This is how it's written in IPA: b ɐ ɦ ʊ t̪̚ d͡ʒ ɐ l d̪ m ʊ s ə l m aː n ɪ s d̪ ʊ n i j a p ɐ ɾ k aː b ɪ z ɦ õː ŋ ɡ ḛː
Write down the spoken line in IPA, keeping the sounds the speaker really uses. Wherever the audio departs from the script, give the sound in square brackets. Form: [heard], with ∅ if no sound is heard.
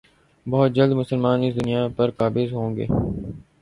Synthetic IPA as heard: b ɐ ɦ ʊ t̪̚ d͡ʒ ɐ l d̪ m ʊ s ə l m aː n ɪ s d̪ ʊ n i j a p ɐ ɾ k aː b ɪ z ɦ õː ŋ ɡ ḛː

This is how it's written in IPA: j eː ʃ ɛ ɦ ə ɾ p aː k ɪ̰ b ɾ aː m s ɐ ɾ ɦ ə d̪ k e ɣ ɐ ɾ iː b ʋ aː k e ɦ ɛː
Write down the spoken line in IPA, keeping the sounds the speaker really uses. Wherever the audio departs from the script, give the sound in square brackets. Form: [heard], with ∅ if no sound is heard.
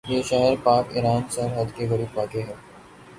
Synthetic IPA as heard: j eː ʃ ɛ ɦ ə ɾ p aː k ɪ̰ [∅] ɾ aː [n] s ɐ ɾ ɦ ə d̪ k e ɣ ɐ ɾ iː b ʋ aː k e ɦ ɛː

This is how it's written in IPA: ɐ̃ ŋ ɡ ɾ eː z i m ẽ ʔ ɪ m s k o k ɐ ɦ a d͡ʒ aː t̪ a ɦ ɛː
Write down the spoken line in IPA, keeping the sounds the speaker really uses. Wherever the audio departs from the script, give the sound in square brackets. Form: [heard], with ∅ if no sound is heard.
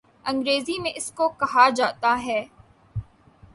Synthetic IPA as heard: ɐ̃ ŋ ɡ ɾ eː z i m ẽ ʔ ɪ [∅] s k o k ɐ ɦ a d͡ʒ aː t̪ a ɦ ɛː

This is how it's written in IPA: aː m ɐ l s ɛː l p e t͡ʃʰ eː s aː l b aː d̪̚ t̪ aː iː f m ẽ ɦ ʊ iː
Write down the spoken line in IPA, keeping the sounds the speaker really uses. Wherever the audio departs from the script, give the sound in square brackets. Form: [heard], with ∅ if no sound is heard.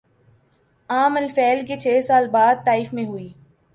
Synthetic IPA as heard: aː m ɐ l [f] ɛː l [k] e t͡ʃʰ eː s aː l b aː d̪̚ t̪ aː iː f m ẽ ɦ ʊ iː

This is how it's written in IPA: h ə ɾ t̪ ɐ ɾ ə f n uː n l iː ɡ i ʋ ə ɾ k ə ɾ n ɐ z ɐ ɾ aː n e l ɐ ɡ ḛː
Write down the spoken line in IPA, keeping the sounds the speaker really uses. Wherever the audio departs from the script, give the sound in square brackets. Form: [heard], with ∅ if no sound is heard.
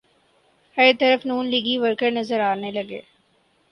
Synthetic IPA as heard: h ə ɾ t̪ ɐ ɾ ə f n uː n l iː ɡ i ʋ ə ɾ k ə ɾ n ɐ z [ə] ɾ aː n e l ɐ ɡ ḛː

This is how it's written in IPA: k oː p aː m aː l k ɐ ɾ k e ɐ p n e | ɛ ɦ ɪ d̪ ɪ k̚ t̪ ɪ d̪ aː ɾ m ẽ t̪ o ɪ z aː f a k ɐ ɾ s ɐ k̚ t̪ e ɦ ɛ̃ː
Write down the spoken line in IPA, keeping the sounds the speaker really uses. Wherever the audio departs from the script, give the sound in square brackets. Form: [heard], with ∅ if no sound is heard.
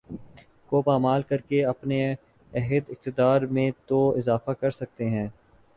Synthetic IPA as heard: k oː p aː m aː l k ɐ ɾ k e ɐ p n e | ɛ ɦ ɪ d̪ ɪ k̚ t̪ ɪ d̪ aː ɾ m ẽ t̪ o ɪ z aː f a k ɐ ɾ s ɐ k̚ t̪ e ɦ ɛ̃ː

